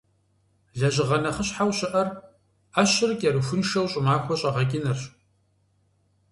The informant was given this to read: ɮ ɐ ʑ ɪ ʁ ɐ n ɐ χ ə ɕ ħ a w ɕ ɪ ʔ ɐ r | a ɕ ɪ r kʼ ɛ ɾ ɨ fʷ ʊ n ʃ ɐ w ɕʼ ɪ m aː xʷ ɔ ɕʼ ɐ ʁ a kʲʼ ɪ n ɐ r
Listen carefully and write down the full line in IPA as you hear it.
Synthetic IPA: ɮ ɐ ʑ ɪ ʁ ɐ n ɐ χ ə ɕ ħ a w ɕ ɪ ʔ ɐ r | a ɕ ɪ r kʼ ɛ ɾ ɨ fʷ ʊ n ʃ ɐ w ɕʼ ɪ m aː xʷ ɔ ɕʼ ɐ ʁ ɐ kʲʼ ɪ n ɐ r